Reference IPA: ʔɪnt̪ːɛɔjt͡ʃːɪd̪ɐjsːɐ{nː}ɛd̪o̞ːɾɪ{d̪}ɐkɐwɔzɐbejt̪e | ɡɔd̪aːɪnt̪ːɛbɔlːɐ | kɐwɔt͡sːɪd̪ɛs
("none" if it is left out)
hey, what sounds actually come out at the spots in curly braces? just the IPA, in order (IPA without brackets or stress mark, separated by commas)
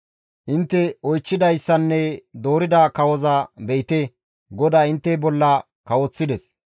nː, d̪